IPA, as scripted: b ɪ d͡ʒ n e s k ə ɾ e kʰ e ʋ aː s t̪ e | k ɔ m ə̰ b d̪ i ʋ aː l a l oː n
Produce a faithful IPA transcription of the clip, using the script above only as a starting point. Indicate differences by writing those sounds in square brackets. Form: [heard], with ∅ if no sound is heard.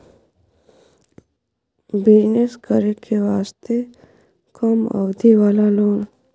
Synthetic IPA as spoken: b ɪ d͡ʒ n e s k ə ɾ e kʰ e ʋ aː s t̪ e | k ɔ m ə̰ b d̪ i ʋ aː l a l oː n